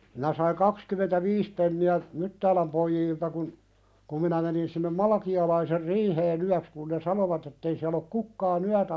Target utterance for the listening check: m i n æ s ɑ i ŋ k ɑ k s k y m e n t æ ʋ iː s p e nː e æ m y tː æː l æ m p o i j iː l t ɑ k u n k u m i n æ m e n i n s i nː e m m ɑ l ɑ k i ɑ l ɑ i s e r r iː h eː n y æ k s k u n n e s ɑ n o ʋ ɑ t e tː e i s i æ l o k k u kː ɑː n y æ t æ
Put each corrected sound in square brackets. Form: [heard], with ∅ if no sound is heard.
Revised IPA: m i n æ s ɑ i ŋ k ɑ k s k y m e n t æ ʋ iː s p e nː [i] æ m y tː æː l æ m p o i j iː l t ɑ k u n k u m i n æ m e n i n s i nː e m m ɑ l ɑ k i ɑ l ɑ i s e r r iː h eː n y æ k s k u n n e s ɑ n o ʋ ɑ t e tː e i s i æ l o k k u kː ɑː n y æ t æ